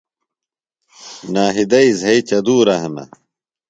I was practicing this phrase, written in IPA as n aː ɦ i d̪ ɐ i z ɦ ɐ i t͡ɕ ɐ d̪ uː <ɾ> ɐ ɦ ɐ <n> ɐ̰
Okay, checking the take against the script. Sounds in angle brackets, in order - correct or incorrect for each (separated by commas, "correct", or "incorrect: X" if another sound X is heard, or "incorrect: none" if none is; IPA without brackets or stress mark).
correct, incorrect: m